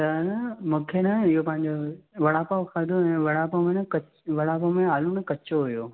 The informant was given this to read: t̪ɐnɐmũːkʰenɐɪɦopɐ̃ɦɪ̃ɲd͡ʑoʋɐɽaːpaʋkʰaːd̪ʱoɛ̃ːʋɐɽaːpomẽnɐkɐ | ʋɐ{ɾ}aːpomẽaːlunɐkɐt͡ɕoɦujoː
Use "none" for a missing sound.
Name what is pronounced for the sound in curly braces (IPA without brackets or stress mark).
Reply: ɽ